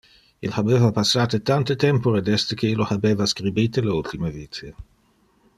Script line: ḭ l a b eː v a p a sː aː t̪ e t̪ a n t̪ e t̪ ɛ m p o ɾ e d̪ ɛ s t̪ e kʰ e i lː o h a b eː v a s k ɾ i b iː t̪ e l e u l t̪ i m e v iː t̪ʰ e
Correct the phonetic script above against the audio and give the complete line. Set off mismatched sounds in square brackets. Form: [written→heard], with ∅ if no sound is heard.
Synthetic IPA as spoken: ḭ l a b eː v a p a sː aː t̪ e t̪ a n t̪ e t̪ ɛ m p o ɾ e d̪ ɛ s t̪ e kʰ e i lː o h a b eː v a s k ɾ i b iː t̪ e l e u l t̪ i m e v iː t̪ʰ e